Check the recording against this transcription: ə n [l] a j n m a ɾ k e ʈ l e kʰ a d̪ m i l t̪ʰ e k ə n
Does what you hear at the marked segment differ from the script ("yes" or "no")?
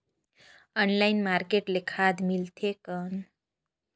no